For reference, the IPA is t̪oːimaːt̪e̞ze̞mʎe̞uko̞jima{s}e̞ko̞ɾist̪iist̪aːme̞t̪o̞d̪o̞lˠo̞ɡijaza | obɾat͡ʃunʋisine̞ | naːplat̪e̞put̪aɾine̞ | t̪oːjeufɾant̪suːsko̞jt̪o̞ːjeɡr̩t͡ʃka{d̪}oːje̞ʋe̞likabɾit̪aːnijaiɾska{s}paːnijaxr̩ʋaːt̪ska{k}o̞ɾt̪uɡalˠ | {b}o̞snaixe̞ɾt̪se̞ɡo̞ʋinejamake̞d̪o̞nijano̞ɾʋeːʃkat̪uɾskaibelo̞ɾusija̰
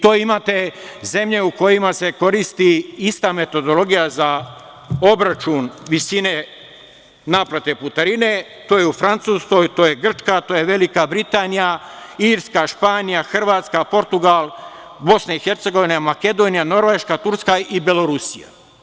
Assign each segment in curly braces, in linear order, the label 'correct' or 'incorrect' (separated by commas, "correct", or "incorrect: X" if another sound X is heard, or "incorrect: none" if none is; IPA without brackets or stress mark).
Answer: correct, incorrect: t̪, incorrect: ʃ, incorrect: p, correct